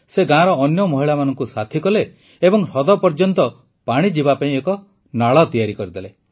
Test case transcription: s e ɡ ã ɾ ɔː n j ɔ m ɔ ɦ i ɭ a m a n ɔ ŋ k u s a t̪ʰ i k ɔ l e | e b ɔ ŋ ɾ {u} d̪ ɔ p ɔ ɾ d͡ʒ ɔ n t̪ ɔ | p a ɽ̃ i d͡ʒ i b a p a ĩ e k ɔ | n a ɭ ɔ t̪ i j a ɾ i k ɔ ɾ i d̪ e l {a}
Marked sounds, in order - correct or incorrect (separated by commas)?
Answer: incorrect, incorrect